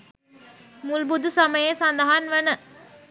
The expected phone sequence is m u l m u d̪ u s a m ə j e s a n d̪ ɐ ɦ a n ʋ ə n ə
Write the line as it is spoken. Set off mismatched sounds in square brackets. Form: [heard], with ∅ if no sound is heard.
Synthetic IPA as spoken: m u l [b] u d̪ u s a m ə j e s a n d̪ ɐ ɦ a n ʋ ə n ə